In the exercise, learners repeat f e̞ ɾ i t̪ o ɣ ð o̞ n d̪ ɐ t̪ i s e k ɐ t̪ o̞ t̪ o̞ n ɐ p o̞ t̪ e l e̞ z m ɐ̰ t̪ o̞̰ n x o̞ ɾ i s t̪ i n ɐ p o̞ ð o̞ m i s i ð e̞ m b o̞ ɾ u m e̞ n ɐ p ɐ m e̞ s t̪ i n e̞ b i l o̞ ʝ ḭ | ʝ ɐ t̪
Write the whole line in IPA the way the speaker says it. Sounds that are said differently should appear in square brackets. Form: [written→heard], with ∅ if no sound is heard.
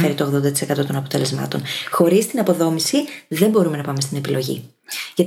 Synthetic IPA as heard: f e̞ ɾ i t̪ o ɣ ð o̞ n d̪ ɐ t̪ i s e k ɐ t̪ o̞ t̪ o̞ n ɐ p o̞ t̪ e l e̞ z m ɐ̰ t̪ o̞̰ n x o̞ ɾ i s t̪ i n ɐ p o̞ ð o̞ m i s i ð e̞ m b o̞ ɾ u m e̞ n ɐ p ɐ m e̞ s t̪ i n e̞ [b→p] i l o̞ ʝ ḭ | ʝ ɐ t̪